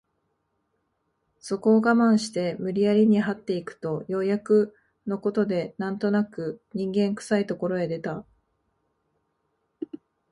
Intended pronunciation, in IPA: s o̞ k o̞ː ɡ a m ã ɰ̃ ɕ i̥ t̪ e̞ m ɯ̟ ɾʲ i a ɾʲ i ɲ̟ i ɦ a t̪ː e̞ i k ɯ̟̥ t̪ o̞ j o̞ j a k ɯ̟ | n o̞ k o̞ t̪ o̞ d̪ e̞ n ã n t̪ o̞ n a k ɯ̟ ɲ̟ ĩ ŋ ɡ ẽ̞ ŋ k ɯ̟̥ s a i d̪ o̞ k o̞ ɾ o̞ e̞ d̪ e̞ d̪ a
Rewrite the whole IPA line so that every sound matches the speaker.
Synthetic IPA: s o̞ k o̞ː ɡ a m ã ɰ̃ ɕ i̥ t̪ e̞ m ɯ̟ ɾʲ i a ɾʲ i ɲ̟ i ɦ a t̪ː e̞ i k ɯ̟̥ t̪ o̞ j o̞ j a k ɯ̟ | n o̞ k o̞ t̪ o̞ d̪ e̞ n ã n t̪ o̞ n a k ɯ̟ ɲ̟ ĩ ŋ ɡ ẽ̞ ŋ k ɯ̟̥ s a i t̪ o̞ k o̞ ɾ o̞ e̞ d̪ e̞ t̪ a